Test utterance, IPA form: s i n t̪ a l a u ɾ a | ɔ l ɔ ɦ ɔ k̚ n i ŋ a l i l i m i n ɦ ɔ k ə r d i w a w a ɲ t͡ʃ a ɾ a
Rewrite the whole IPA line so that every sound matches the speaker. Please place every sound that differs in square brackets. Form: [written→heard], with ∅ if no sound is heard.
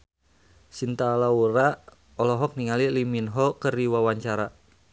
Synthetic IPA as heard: s i n t̪ a l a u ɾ a | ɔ l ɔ ɦ ɔ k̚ n i ŋ a l i l i m i n ɦ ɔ k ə r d i w a w a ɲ t͡ʃ a ɾ a